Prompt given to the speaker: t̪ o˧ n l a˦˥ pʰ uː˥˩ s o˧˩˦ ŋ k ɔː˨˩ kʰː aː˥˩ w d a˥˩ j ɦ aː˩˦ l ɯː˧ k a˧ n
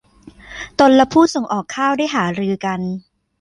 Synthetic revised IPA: t̪ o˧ n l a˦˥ pʰ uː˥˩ s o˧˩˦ ŋ ʔ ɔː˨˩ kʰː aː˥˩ w d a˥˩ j ɦ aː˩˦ ɾ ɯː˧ k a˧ n